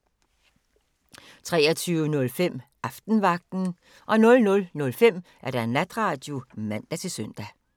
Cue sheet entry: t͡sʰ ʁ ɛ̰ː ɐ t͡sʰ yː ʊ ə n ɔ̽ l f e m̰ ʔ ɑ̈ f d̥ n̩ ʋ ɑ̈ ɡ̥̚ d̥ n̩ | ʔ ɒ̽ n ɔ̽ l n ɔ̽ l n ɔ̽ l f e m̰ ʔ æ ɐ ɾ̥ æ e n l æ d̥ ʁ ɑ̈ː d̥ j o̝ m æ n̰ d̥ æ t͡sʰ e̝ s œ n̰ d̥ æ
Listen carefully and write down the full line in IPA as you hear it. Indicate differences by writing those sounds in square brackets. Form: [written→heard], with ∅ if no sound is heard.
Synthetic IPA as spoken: t͡sʰ ʁ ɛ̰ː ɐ t͡sʰ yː ʊ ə n ɔ̽ l f e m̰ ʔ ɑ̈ f d̥ n̩ ʋ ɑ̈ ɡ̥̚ d̥ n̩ | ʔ ɒ̽ n ɔ̽ l n ɔ̽ l n ɔ̽ l f e m̰ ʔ æ ɐ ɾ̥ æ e n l æ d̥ ʁ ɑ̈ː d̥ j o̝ m æ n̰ d̥ æ t͡sʰ e̝ s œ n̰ d̥ æ